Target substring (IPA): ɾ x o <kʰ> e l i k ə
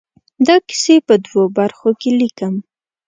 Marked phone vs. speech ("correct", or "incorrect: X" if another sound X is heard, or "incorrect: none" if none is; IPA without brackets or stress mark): incorrect: k